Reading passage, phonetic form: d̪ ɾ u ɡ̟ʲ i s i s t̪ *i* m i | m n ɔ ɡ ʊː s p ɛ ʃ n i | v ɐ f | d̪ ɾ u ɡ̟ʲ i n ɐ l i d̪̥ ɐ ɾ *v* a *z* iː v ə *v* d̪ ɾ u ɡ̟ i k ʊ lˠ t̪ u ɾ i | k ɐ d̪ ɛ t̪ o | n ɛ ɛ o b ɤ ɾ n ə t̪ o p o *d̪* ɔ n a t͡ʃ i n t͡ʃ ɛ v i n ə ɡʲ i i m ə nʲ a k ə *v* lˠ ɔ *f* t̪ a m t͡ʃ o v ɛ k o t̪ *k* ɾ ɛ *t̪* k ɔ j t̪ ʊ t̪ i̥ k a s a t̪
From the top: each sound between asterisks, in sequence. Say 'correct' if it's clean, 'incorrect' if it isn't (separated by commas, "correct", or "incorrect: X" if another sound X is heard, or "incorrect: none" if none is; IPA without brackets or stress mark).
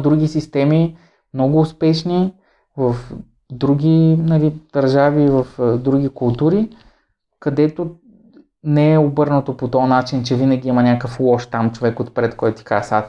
incorrect: ɛ, incorrect: ʒ, incorrect: v, incorrect: f, incorrect: t̪, incorrect: f, incorrect: ʃ, incorrect: p, correct